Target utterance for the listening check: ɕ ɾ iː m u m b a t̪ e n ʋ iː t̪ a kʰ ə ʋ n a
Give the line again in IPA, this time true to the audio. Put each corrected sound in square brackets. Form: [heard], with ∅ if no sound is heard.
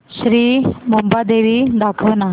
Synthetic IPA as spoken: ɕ ɾ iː m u m b a [d̪] e [∅] ʋ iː [d̪] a kʰ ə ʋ n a

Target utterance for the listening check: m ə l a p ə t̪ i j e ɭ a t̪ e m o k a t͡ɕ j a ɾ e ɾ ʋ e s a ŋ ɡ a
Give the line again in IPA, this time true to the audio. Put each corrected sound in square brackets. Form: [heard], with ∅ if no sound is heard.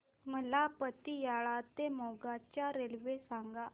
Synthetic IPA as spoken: m ə l a p ə t̪ i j [a] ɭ a t̪ e m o [ɡ] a t͡ɕ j a ɾ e [l] ʋ e s a ŋ ɡ a

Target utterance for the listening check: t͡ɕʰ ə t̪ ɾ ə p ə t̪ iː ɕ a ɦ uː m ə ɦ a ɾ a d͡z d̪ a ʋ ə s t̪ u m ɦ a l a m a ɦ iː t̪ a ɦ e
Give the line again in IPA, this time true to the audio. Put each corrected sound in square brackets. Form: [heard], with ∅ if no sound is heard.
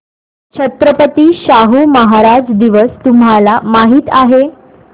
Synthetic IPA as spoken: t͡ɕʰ ə t̪ ɾ ə p ə t̪ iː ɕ a ɦ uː m ə ɦ a ɾ a d͡z d̪ [i] ʋ ə s t̪ u m ɦ a l a m a ɦ iː t̪ a ɦ e

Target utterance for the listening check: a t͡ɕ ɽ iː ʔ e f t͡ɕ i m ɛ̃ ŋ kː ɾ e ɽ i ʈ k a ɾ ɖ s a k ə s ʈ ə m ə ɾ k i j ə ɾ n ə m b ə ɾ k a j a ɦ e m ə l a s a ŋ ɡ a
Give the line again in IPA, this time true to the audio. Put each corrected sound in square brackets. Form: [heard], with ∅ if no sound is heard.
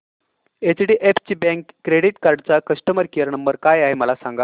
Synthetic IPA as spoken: [e] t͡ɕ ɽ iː ʔ e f t͡ɕ i [b] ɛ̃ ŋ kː ɾ e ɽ i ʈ k a ɾ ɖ [t͡s] a k ə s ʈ ə m ə ɾ k i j ə ɾ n ə m b ə ɾ k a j a ɦ e m ə l a s a ŋ ɡ a

